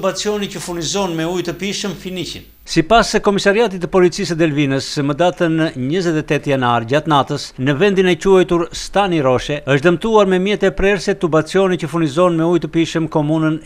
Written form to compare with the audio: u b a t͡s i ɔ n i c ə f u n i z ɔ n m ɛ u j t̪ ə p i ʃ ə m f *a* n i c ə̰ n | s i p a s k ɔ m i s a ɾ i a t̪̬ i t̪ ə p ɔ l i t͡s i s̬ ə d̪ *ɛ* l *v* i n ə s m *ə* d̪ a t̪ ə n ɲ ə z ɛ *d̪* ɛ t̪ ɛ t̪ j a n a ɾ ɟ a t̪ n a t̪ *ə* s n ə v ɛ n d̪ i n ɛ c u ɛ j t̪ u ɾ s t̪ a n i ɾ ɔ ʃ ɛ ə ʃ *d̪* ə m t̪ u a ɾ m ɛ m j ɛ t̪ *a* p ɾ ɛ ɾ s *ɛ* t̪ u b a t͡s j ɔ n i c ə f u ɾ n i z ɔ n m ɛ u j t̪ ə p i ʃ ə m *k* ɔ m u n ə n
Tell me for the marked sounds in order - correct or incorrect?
incorrect: i, correct, correct, correct, incorrect: t̪, correct, correct, incorrect: ɛ, correct, correct

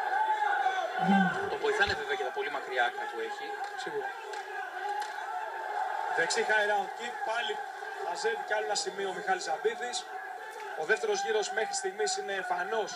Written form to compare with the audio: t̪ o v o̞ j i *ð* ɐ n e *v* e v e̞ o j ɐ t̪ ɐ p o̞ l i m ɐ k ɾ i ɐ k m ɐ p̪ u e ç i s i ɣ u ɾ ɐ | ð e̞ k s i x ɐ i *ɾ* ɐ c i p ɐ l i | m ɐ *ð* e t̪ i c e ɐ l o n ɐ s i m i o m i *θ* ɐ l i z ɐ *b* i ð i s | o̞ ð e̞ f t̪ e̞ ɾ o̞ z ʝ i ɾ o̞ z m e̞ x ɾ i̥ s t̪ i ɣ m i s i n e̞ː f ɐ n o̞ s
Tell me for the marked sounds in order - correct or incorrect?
incorrect: θ, correct, correct, incorrect: z, incorrect: x, correct

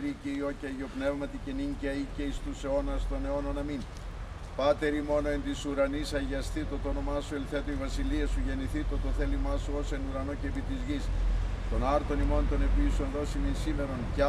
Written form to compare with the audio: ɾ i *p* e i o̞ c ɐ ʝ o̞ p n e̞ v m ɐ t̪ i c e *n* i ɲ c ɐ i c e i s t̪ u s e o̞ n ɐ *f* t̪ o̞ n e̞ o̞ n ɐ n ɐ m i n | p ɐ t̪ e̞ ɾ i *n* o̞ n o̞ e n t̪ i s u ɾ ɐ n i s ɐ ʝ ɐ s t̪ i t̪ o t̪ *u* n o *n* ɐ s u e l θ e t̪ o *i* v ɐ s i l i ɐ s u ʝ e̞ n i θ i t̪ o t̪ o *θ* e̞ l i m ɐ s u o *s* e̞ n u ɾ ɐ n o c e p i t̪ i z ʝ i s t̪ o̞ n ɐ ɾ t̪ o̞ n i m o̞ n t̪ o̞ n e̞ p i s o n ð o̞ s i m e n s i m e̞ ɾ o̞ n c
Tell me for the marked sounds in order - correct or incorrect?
incorrect: c, correct, incorrect: s, incorrect: m, incorrect: o, incorrect: m, correct, correct, correct

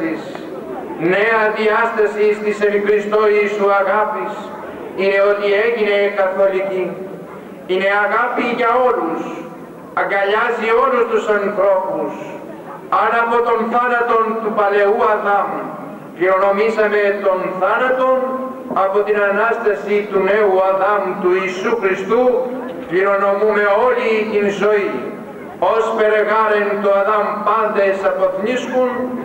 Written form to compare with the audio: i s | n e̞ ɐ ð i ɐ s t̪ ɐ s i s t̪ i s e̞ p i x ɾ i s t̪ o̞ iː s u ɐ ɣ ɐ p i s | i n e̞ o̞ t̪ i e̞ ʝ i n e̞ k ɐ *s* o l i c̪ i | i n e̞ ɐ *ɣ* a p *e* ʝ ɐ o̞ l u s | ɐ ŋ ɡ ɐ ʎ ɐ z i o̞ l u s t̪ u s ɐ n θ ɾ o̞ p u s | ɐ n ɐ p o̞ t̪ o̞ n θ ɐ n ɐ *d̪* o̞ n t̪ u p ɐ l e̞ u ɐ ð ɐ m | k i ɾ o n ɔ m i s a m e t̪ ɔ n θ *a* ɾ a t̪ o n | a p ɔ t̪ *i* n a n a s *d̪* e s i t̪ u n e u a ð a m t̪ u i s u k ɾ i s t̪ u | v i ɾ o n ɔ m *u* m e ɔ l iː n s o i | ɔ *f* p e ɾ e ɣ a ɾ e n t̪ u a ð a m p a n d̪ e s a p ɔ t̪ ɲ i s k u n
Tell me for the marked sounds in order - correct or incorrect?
incorrect: θ, correct, incorrect: i, incorrect: t̪, correct, correct, incorrect: t̪, correct, incorrect: s

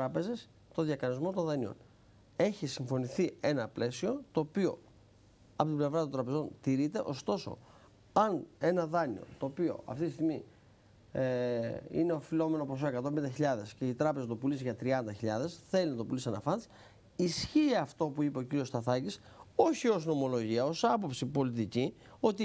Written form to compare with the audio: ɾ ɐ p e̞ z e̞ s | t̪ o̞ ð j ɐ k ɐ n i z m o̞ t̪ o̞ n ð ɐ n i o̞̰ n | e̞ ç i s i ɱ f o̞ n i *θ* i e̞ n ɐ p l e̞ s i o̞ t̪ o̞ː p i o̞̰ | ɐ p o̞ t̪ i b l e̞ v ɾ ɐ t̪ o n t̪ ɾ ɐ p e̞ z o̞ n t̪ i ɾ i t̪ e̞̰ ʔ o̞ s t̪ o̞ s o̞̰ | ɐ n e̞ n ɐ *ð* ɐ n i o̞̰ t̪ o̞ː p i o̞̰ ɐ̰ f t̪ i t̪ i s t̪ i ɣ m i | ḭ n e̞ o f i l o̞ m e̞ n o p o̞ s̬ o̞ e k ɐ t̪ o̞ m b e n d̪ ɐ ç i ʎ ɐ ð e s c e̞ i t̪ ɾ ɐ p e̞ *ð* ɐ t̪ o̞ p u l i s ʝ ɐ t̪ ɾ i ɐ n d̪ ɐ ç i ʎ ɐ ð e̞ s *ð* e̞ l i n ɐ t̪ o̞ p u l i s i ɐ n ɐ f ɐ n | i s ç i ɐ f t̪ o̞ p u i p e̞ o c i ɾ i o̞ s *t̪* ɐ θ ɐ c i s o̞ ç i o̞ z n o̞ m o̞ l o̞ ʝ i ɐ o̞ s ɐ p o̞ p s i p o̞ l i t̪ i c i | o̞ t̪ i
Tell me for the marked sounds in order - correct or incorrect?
correct, correct, incorrect: z, incorrect: θ, correct

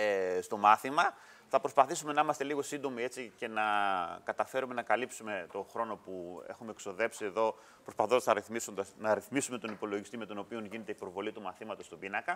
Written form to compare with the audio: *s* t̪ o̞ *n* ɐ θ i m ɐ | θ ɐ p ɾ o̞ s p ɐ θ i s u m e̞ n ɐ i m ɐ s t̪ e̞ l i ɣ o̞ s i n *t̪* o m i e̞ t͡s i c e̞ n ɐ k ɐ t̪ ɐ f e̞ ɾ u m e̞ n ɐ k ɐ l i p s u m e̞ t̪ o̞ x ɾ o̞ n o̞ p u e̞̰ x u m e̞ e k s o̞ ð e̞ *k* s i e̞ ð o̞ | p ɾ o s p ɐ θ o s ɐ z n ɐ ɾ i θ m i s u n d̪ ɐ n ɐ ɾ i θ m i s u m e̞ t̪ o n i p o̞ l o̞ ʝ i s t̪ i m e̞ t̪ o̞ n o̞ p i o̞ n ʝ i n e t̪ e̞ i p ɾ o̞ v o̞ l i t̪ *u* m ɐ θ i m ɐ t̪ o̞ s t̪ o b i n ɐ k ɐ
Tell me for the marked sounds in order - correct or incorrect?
correct, incorrect: m, incorrect: d̪, incorrect: p, correct

